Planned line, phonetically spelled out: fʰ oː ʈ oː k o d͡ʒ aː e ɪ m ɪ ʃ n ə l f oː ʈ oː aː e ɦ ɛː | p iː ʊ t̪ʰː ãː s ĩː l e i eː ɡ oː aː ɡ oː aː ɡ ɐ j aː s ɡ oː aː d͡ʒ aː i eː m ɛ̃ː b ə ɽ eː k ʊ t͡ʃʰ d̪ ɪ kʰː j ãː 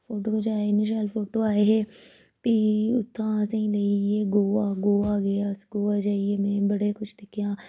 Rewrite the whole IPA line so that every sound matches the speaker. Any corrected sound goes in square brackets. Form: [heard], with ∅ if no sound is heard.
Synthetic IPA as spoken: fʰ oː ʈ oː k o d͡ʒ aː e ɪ [n] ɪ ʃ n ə l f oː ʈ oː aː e ɦ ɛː | p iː ʊ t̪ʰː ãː s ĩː l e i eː ɡ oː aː ɡ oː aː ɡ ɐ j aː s ɡ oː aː d͡ʒ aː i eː m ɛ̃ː b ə ɽ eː k ʊ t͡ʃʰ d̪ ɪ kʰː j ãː